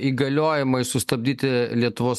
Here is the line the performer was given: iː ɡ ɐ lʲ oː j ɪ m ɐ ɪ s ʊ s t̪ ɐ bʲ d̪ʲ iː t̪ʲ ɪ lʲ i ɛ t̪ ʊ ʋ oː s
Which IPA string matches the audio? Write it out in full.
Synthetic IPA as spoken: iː ɡ ɐ lʲ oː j ɪ m ɐ ɪ s ʊ s t̪ ɐ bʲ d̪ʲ iː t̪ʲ ɪ lʲ i ɛ t̪ ʊ ʋ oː s